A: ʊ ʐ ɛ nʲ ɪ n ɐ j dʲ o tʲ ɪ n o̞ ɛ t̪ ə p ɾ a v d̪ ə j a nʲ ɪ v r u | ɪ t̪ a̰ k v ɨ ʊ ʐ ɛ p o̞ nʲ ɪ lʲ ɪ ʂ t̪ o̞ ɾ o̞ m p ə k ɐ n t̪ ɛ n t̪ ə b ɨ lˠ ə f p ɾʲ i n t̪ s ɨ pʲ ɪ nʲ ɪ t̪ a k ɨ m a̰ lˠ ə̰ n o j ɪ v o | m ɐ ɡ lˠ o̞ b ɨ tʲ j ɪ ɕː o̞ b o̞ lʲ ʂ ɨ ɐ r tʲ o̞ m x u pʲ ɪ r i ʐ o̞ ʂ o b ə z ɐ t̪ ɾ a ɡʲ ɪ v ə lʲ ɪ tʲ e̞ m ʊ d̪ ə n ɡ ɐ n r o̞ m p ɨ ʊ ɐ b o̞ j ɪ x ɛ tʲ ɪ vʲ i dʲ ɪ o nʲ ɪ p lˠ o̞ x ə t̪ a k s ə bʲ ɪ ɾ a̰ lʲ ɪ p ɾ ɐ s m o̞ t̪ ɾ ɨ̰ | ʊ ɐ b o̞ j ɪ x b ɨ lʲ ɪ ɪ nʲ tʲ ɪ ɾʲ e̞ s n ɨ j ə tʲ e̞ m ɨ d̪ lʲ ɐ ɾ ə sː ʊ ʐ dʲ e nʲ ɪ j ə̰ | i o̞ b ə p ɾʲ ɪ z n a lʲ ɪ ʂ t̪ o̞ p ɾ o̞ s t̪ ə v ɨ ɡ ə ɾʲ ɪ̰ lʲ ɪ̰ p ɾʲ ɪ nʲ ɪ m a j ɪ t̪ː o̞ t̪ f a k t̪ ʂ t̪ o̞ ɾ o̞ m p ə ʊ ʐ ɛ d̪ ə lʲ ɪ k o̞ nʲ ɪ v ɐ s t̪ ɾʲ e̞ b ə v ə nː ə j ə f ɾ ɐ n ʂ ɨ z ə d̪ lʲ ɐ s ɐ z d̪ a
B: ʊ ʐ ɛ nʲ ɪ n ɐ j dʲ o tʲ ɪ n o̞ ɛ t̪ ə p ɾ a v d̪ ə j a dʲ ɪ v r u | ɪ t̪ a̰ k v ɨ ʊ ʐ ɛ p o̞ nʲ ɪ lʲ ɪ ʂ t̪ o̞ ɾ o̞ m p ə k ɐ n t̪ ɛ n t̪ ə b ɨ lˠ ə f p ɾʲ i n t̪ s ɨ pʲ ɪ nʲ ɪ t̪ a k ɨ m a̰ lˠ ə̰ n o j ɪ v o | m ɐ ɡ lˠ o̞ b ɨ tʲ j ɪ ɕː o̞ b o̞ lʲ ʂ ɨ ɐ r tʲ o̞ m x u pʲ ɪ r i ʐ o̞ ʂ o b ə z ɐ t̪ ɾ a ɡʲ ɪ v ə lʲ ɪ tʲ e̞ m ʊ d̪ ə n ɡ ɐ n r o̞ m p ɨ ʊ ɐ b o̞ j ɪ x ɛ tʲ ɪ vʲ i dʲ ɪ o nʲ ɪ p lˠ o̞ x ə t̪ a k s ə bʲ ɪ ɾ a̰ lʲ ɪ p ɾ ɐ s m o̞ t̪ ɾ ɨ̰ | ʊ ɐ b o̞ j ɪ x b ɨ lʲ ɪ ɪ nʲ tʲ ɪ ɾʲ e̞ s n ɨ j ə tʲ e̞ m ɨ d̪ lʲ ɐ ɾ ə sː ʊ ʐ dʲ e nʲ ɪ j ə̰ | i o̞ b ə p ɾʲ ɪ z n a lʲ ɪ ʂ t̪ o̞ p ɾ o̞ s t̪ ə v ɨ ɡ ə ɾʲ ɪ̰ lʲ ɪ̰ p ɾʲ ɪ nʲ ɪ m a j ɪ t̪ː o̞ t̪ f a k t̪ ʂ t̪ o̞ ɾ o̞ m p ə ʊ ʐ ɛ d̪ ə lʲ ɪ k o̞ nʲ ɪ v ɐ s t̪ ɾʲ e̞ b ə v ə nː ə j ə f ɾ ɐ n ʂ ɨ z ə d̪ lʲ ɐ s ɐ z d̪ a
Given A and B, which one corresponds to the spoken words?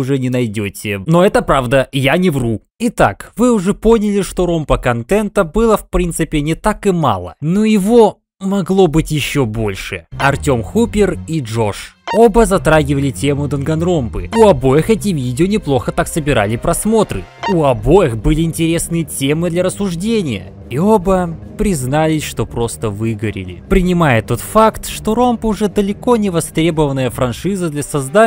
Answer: A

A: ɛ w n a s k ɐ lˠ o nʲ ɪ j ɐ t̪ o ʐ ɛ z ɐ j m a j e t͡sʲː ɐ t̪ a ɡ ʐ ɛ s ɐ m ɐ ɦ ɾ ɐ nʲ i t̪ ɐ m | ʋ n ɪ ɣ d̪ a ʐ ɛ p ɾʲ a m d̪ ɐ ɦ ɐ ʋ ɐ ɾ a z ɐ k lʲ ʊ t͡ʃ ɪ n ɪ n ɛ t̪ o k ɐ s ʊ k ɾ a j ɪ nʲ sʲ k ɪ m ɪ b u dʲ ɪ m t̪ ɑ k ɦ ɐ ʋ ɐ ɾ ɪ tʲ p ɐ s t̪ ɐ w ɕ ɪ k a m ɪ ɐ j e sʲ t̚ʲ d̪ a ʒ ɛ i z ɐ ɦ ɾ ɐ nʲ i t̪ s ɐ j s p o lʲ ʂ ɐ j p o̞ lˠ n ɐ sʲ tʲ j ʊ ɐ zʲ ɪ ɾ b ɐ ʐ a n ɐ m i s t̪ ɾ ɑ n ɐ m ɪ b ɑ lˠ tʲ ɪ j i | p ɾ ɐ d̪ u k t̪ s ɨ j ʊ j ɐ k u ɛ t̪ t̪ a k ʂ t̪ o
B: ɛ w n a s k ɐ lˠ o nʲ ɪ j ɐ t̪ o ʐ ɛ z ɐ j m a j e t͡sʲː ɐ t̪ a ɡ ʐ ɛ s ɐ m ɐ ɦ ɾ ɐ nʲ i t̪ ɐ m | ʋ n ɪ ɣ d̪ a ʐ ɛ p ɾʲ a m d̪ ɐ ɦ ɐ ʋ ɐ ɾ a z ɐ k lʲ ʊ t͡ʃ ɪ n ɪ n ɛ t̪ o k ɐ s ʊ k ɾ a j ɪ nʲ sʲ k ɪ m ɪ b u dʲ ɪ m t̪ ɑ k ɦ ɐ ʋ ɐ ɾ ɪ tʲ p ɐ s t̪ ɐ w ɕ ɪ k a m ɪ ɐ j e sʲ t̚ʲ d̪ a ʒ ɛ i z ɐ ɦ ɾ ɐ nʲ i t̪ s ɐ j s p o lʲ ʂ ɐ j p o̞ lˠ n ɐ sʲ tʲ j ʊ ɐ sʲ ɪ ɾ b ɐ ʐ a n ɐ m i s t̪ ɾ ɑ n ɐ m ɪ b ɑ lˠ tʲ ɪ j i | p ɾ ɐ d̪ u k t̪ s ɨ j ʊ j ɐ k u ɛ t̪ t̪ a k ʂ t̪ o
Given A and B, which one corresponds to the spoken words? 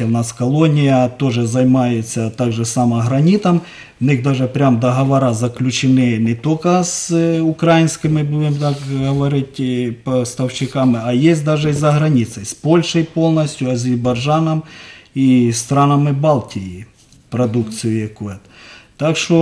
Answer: A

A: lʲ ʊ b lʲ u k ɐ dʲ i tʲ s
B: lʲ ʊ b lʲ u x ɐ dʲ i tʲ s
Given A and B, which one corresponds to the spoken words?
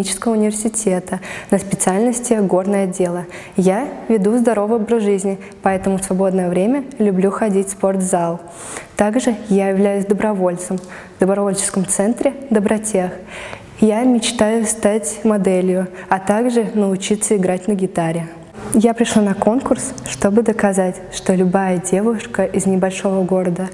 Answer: B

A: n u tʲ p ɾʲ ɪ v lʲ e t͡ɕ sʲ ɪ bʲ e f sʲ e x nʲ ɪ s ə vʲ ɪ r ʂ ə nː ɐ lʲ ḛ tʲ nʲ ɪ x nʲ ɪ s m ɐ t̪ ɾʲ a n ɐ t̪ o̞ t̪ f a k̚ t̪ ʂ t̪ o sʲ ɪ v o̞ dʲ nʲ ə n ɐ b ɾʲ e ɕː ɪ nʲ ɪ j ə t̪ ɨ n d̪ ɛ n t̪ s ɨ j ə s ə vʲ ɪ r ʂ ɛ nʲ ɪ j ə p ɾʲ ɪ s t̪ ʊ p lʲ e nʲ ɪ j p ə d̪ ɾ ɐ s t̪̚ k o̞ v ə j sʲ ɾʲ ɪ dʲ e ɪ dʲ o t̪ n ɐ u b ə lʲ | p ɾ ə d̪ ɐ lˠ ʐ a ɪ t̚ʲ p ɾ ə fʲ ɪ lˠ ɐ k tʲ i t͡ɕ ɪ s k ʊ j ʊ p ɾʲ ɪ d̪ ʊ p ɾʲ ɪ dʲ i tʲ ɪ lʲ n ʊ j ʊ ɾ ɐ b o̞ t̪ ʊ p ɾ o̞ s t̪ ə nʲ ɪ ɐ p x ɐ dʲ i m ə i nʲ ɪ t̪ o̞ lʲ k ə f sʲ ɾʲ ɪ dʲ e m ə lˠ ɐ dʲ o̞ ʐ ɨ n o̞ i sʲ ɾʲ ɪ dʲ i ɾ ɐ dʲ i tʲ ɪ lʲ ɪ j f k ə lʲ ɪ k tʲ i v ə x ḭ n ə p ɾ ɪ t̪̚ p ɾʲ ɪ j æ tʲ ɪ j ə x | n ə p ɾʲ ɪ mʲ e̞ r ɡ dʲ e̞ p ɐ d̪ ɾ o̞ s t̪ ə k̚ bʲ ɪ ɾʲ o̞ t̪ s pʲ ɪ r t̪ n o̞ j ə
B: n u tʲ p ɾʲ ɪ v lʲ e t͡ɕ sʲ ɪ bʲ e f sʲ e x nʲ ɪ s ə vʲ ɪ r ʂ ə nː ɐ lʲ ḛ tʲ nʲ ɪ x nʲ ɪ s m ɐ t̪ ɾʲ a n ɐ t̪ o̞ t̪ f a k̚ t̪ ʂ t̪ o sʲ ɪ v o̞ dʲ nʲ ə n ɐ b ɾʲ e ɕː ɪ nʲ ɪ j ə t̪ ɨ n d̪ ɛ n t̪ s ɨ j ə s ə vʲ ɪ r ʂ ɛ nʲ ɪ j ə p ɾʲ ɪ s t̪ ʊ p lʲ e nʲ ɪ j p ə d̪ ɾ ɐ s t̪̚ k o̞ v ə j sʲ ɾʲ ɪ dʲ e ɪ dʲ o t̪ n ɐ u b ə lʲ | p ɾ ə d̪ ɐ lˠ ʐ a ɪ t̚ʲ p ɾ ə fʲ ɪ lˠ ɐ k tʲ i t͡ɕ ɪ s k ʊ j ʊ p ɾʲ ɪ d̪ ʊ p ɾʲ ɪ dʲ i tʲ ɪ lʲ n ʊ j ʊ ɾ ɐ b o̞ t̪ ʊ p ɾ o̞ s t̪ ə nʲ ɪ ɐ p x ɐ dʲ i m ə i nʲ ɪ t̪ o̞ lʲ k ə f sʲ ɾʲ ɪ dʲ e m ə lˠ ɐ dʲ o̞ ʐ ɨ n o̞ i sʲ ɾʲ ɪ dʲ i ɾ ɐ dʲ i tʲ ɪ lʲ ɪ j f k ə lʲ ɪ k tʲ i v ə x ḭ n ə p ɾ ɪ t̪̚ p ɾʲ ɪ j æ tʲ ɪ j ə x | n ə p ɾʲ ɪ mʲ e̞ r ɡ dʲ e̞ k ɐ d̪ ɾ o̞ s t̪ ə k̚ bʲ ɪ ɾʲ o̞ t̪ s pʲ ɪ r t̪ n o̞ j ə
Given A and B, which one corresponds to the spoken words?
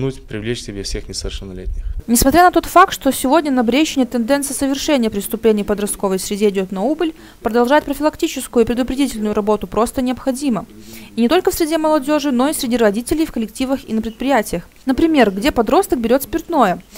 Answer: A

